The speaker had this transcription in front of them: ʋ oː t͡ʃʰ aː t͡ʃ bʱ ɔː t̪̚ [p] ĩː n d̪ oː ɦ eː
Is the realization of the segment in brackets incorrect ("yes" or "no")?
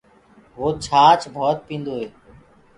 no